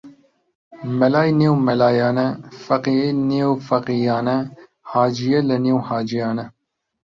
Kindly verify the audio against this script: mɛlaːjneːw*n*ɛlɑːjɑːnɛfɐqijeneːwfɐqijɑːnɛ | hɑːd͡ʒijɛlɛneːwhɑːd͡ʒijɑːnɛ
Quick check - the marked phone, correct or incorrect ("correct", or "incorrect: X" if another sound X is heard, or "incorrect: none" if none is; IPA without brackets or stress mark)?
incorrect: m